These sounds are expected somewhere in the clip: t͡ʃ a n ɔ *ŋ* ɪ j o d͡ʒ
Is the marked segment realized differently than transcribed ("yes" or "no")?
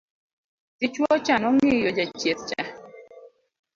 no